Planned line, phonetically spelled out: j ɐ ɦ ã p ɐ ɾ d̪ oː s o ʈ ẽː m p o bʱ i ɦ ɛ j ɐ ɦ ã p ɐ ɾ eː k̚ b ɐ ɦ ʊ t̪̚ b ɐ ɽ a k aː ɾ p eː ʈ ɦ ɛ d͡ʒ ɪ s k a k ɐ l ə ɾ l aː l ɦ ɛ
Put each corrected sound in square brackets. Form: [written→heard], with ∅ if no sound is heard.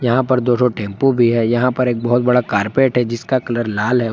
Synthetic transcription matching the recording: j ɐ ɦ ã p ɐ ɾ d̪ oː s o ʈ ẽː m p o bʱ i ɦ ɛ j ɐ ɦ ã p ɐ ɾ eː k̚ b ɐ ɦ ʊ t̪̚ b ɐ ɽ a k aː ɾ p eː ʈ ɦ ɛ d͡ʒ ɪ s k a k ɐ l ə ɾ l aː l ɦ ɛ